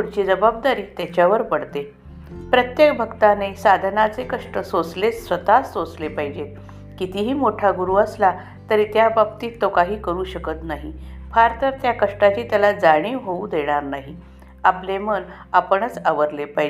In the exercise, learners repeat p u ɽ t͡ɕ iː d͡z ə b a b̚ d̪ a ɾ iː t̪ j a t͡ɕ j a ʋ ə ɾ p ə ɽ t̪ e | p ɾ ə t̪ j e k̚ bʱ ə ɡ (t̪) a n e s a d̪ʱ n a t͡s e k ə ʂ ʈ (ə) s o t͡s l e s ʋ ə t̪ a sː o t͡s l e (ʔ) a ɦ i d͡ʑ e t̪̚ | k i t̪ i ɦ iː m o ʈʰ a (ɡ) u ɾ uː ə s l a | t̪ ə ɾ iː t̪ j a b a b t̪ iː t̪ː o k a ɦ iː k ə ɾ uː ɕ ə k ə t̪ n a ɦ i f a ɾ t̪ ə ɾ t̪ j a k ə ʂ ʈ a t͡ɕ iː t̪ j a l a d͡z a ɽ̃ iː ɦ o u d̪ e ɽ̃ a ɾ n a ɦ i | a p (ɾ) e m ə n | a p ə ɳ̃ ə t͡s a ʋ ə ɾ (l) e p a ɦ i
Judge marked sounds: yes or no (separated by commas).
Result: yes, yes, no, yes, no, yes